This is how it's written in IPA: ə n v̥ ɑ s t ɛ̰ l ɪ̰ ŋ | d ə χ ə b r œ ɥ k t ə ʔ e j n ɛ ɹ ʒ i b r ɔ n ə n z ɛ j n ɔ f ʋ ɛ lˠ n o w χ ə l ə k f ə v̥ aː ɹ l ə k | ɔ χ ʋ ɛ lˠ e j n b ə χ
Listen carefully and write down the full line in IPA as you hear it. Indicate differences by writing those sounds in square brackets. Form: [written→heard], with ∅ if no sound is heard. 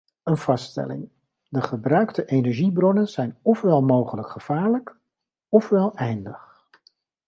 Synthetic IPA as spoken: ə n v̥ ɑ s t ɛ̰ l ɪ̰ ŋ | d ə χ ə b r œ ɥ k t ə ʔ e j n ɛ ɹ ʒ i b r ɔ n ə n z ɛ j n ɔ f ʋ ɛ lˠ [n→m] o w χ ə l ə k [f→χ] ə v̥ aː ɹ l ə k | ɔ [χ→f] ʋ ɛ lˠ [e→ɛ] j n [b→d] ə χ